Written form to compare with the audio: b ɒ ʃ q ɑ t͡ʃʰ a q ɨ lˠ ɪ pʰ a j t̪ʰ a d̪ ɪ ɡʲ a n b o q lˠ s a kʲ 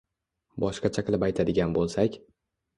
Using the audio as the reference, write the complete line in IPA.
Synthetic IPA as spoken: b ɒ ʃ q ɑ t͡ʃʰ a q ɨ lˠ ɪ p a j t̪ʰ a d̪ ɪ ɡʲ a n b o lˠ s a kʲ